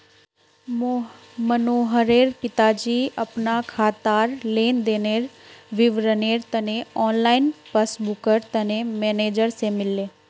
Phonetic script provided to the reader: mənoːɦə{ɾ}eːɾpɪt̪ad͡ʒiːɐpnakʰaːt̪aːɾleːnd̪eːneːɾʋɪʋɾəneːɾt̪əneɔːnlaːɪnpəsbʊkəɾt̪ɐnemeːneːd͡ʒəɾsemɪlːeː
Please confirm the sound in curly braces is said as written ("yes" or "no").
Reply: yes